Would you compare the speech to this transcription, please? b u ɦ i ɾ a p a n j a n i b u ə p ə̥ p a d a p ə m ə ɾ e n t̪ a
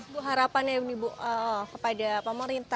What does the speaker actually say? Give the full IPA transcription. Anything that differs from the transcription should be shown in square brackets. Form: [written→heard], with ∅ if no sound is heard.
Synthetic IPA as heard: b u ɦ [i→a] ɾ a p a n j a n i b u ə [p→k] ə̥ p a d a p ə m ə ɾ [e→i] n t̪ a